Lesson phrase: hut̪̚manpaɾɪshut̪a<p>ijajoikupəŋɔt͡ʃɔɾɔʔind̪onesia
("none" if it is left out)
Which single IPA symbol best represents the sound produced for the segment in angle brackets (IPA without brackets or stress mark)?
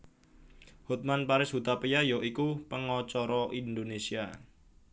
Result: p